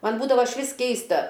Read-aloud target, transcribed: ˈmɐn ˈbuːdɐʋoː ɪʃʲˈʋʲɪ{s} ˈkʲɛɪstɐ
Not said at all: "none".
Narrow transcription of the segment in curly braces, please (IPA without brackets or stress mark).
s